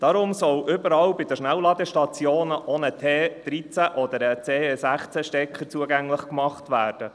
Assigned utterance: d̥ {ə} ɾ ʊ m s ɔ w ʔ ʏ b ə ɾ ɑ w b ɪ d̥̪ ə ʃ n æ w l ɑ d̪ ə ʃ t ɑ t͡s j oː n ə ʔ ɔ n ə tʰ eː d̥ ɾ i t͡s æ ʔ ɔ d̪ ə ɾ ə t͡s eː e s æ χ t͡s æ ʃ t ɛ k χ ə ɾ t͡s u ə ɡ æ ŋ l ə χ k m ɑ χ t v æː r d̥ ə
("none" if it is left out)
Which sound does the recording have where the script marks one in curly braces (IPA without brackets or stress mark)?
ɑ